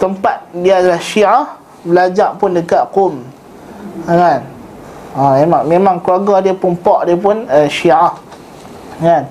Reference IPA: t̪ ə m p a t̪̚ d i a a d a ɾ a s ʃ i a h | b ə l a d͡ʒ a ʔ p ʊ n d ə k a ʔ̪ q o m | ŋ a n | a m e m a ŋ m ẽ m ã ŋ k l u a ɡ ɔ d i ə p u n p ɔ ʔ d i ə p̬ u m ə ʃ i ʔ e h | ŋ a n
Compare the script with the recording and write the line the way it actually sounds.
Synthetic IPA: t̪ ə m p a t̪̚ d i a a d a l a h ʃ i a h | b ə l a d͡ʒ a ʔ p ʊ n d ə k a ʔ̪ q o m | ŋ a n | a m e m a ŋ m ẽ m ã ŋ k l u a ɡ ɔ d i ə p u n p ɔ ʔ d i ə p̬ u n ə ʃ i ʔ a h | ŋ a n